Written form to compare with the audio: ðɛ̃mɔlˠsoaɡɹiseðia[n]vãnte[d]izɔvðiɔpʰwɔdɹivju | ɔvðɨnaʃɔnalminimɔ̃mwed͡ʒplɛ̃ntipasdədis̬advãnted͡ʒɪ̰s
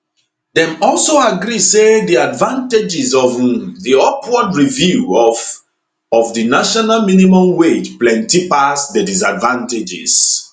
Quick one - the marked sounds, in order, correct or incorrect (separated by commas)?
incorrect, incorrect